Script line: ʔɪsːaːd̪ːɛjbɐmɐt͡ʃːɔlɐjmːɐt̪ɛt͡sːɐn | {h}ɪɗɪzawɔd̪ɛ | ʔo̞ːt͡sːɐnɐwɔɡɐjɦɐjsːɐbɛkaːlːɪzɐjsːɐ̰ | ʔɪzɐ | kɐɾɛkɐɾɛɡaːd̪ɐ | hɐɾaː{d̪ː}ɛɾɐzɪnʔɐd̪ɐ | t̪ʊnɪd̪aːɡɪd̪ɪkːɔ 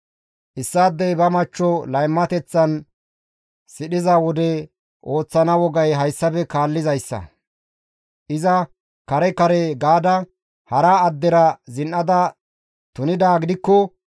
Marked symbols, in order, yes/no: no, yes

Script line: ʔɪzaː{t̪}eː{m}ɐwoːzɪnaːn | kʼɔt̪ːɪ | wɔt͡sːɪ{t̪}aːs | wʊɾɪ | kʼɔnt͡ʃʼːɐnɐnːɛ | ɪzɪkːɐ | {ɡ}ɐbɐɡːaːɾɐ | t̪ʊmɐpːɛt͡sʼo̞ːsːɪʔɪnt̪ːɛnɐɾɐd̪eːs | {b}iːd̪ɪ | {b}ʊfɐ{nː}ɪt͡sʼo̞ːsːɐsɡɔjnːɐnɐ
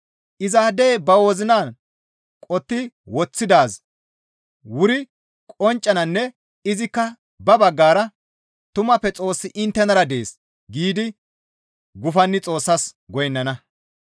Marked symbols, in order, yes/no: no, no, no, no, no, no, yes

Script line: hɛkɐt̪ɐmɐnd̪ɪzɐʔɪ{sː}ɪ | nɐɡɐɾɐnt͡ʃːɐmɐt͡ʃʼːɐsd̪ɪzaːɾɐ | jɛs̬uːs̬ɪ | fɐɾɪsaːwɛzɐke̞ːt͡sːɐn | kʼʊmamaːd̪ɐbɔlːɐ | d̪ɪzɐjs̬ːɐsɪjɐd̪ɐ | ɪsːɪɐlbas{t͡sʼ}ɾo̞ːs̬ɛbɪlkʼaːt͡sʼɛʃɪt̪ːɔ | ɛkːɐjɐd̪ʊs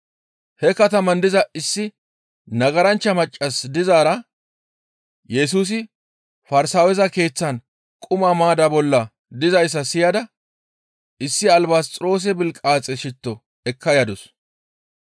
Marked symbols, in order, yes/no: yes, yes

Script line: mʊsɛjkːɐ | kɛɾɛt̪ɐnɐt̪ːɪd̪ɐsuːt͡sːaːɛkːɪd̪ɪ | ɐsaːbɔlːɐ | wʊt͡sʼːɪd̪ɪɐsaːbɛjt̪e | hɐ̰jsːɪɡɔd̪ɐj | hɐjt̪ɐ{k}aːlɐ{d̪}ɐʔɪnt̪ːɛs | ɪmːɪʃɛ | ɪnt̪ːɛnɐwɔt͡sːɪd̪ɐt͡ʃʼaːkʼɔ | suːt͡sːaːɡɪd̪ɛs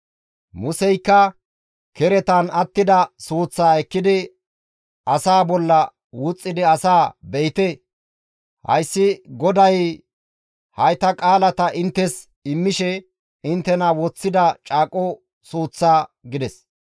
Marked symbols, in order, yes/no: no, no

